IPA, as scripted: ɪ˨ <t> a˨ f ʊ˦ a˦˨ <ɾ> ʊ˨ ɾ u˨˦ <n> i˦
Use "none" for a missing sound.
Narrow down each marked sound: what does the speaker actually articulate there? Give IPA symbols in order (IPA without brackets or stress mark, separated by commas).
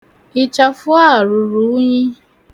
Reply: t͡ʃ, ɾ, ɲ